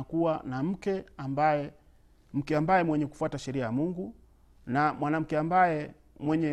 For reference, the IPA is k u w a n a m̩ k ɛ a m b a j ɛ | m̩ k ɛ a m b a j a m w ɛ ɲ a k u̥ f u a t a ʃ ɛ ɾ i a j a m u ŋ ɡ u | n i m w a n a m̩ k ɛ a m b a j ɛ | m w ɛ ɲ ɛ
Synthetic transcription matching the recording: k u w a n a m̩ k ɛ a m b a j ɛ | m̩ k ɛ a m b a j ɛ m w ɛ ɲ ɛ k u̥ f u a t a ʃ ɛ ɾ i a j a m u ŋ ɡ u | n a m w a n a m̩ k ɛ a m b a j ɛ | m w ɛ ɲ ɛ